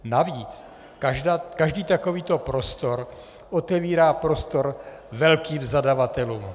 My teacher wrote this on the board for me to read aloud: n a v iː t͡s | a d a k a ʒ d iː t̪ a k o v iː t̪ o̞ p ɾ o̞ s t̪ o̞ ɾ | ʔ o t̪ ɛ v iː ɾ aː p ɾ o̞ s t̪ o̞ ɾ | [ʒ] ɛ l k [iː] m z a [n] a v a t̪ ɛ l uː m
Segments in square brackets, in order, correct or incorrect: incorrect: v, correct, incorrect: d

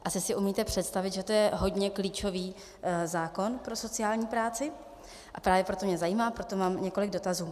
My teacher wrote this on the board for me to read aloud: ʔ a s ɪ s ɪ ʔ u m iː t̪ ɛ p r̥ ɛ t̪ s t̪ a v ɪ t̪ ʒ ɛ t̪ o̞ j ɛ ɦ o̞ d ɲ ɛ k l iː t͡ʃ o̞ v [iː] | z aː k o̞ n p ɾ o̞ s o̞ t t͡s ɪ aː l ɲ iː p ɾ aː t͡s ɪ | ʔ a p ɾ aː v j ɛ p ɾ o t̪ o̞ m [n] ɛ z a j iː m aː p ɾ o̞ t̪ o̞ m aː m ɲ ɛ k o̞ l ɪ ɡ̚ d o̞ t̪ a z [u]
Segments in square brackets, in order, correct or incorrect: correct, incorrect: ɲ, incorrect: uː

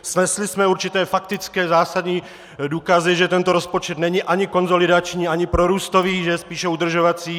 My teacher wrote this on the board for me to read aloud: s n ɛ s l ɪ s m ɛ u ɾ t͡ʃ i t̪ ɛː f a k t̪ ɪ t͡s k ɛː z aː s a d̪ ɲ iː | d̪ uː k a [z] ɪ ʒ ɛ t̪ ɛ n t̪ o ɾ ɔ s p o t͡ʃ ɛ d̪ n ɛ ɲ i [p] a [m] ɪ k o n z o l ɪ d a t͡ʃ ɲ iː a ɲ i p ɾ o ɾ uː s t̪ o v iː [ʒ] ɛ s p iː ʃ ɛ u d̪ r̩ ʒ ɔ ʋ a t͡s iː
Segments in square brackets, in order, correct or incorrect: correct, incorrect: ʔ, incorrect: ɲ, correct

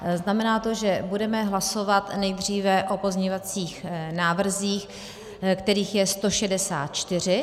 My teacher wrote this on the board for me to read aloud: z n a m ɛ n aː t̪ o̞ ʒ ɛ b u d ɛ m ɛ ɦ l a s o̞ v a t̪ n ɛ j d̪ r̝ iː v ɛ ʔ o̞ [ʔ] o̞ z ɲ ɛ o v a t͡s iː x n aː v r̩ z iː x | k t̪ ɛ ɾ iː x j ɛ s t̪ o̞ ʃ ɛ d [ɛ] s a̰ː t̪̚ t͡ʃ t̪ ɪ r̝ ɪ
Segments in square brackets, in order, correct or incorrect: incorrect: p, correct

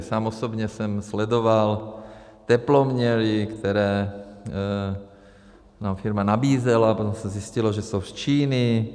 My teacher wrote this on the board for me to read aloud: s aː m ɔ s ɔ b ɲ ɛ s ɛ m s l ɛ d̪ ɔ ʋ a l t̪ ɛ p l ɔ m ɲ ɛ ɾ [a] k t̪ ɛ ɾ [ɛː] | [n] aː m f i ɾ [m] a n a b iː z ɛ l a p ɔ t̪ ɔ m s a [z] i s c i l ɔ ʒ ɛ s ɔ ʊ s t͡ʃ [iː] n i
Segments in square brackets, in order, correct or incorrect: incorrect: i, correct, correct, correct, correct, correct

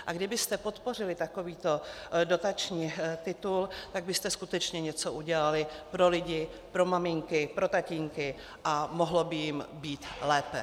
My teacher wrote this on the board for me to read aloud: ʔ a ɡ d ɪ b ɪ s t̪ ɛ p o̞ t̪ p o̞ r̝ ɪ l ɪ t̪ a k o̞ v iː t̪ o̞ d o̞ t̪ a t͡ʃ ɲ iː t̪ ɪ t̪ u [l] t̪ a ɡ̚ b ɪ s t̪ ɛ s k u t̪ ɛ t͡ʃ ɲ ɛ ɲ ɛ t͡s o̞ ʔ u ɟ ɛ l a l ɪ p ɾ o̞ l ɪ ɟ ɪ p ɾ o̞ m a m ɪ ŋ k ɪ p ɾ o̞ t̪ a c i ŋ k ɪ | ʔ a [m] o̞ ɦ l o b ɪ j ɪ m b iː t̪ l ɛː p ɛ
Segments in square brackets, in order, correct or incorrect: correct, correct

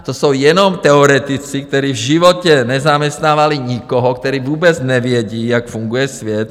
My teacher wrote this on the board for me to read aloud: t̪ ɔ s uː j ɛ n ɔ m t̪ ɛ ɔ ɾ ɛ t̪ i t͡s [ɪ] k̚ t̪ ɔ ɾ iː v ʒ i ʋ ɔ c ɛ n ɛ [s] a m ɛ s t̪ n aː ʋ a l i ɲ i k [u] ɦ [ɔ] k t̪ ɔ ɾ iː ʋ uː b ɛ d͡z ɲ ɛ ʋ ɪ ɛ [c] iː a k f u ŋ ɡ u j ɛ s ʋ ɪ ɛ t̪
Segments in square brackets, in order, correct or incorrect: incorrect: i, incorrect: z, incorrect: ɔ, correct, incorrect: ɟ

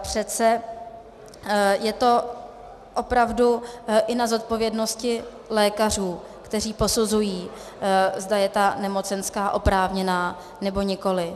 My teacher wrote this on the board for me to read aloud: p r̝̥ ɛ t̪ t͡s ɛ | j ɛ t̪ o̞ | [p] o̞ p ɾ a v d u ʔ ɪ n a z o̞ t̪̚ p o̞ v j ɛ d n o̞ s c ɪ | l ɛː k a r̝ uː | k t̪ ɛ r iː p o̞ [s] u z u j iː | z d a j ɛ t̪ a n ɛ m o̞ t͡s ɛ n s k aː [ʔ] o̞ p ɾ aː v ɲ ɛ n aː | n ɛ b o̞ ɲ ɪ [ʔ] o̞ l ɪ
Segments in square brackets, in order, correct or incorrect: incorrect: ʔ, correct, correct, incorrect: k

